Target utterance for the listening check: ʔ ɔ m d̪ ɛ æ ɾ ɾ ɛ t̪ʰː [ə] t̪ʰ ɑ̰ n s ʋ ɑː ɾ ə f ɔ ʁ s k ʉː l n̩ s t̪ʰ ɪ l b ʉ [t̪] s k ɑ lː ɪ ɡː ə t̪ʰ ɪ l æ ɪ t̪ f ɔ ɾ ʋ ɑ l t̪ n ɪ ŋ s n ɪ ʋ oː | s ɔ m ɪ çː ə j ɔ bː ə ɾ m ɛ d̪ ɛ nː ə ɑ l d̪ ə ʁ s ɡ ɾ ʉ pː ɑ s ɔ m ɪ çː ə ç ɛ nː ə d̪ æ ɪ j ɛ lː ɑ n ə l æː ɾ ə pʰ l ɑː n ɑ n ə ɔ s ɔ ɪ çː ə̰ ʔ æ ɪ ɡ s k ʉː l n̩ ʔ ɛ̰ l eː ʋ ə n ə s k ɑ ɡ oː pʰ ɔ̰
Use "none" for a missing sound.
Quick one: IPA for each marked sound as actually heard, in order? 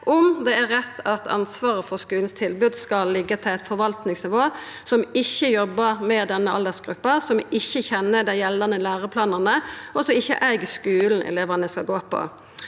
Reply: ɑ, d̪

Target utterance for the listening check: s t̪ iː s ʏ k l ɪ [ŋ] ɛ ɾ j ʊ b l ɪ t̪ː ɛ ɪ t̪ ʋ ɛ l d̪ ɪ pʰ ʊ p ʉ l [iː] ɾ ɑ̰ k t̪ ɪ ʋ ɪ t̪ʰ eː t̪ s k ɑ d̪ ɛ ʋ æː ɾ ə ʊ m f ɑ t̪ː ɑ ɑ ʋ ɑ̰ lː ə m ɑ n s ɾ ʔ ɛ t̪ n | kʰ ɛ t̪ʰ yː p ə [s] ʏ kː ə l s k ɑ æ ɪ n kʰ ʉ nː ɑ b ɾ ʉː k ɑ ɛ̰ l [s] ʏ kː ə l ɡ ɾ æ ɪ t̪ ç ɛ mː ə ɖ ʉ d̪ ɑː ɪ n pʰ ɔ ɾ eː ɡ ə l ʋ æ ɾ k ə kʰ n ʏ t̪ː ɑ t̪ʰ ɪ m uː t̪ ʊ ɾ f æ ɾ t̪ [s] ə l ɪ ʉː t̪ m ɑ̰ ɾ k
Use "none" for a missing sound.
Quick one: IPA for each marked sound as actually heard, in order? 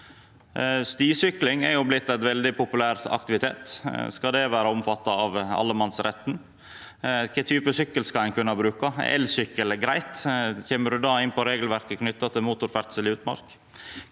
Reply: ŋ, æː, s, s, s

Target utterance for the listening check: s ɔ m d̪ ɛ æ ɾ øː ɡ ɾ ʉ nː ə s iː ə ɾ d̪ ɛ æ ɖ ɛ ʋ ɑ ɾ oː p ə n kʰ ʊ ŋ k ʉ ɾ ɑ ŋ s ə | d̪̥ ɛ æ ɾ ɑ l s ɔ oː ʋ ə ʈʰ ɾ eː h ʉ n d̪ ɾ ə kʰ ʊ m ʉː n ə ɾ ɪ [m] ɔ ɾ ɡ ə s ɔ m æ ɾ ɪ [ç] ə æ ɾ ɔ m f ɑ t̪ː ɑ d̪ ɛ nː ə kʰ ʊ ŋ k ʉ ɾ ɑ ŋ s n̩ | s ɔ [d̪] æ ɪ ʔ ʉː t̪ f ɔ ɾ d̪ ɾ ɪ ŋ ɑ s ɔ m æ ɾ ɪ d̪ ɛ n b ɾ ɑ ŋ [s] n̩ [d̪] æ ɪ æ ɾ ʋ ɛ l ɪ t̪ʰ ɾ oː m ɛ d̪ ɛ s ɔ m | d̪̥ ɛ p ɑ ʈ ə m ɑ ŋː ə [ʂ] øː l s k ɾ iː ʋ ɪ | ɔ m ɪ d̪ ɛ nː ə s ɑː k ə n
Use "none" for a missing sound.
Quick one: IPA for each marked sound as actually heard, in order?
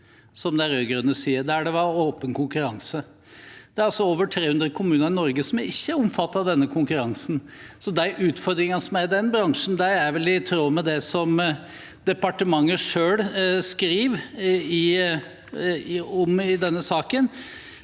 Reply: n, çː, d̪, ʂ, d̪, ʂ

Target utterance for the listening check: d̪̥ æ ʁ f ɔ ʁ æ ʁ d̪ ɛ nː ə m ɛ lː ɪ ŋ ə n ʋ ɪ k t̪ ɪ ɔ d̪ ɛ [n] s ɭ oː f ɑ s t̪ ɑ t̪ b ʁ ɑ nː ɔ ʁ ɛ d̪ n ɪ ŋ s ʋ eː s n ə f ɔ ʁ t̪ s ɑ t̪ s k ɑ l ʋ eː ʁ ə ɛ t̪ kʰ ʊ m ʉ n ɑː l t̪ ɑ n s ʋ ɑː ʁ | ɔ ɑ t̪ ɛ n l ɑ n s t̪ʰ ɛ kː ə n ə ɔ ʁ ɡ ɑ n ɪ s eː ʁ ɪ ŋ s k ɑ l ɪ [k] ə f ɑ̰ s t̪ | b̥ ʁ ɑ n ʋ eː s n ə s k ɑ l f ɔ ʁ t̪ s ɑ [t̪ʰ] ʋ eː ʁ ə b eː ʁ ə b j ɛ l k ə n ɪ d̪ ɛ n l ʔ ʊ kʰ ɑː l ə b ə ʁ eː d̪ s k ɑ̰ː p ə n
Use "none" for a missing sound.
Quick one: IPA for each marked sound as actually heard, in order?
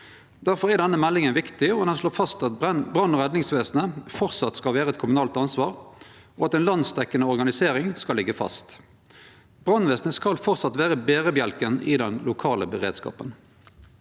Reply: n, ɡ, t̪

